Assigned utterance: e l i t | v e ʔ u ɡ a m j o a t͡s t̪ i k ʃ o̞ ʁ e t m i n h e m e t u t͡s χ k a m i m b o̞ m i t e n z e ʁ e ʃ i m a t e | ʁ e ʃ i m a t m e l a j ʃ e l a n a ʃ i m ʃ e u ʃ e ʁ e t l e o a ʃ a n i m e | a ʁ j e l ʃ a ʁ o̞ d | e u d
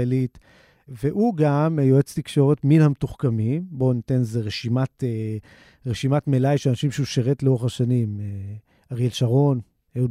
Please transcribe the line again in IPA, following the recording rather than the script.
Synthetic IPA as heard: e l i t | v e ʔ u ɡ a m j o e t͡s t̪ i k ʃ o̞ ʁ e t m i n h a m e t u χ k a m i m b o̞ n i t e n z e ʁ e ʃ i m a t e | ʁ e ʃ i m a t m e l a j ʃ e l a n a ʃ i m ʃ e u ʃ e ʁ e t l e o a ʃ a n i m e | a ʁ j e l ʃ a ʁ o̞ n | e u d